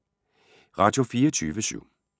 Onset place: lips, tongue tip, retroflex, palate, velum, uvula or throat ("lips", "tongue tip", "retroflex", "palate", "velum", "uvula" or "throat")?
uvula